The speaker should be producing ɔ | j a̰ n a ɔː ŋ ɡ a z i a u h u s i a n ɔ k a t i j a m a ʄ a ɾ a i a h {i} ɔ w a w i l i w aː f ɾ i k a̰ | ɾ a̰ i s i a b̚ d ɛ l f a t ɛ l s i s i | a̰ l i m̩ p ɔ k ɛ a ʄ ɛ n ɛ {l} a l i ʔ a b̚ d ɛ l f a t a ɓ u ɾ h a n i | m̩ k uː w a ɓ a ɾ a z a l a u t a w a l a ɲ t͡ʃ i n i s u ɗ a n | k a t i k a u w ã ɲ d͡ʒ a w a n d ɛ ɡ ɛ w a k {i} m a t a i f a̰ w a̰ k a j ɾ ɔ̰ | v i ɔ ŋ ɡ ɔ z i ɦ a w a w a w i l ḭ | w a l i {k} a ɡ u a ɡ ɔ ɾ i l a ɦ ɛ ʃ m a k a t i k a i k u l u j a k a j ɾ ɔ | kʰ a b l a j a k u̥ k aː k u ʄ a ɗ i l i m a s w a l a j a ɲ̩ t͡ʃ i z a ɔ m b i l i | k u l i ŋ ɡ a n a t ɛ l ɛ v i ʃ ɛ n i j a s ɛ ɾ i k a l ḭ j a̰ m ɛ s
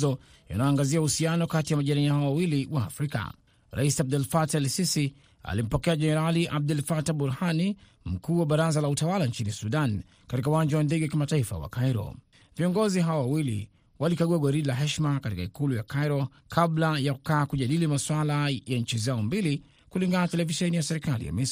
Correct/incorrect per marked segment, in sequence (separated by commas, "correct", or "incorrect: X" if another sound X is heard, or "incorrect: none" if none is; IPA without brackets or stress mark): incorrect: a, incorrect: ɾ, correct, correct